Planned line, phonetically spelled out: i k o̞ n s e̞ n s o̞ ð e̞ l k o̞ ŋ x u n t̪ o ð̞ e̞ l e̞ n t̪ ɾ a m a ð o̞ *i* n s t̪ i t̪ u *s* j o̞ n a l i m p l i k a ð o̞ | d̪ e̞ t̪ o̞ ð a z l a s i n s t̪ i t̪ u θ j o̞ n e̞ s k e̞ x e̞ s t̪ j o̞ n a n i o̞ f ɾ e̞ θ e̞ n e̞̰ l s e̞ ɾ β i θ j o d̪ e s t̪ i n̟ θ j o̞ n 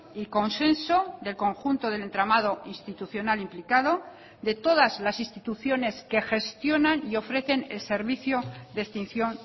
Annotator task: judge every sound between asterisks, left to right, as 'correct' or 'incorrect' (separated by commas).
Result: correct, incorrect